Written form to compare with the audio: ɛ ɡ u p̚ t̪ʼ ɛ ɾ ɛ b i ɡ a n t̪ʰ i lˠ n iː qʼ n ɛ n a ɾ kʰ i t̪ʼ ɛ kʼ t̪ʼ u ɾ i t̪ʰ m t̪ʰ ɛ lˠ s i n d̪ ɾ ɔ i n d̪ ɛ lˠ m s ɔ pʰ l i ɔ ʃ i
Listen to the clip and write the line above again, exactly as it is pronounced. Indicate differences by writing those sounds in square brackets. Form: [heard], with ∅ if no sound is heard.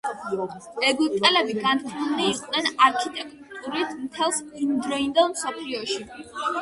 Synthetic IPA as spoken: ɛ ɡ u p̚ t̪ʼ ɛ [l] ɛ b i ɡ a n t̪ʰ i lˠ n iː qʼ n ɛ n a ɾ kʰ i t̪ʼ ɛ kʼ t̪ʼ u ɾ i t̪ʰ m t̪ʰ ɛ lˠ s i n d̪ ɾ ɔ i n d̪ ɛ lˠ m s ɔ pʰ l i ɔ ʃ i